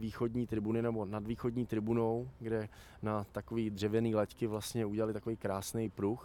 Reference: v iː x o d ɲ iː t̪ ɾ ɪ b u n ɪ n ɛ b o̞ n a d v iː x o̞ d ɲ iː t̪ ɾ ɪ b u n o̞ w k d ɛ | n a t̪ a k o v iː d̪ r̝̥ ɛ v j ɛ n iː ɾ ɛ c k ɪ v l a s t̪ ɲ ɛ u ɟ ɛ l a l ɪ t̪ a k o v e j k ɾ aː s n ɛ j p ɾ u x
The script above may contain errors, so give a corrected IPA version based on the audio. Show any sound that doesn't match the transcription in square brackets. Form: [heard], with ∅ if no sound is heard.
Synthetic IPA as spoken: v iː x o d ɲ iː t̪ ɾ ɪ b u n ɪ n ɛ b o̞ n a d v iː x o̞ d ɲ iː t̪ ɾ ɪ b u n o̞ w [ɡ] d ɛ | n a t̪ a k o v iː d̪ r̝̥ ɛ v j ɛ n iː [l] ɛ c k ɪ v l a s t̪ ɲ ɛ u ɟ ɛ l a l ɪ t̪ a k o v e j k ɾ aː s n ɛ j p ɾ u x